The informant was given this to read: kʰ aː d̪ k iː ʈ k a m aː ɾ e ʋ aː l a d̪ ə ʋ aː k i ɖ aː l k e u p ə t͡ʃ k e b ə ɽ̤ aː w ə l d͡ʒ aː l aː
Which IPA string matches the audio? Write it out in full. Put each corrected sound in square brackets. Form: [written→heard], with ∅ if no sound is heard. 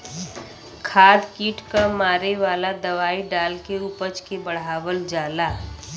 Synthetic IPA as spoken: kʰ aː d̪ k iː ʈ k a m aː ɾ e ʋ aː l a d̪ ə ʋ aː [k→∅] i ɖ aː l k e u p ə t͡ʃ k e b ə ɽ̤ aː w ə l d͡ʒ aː l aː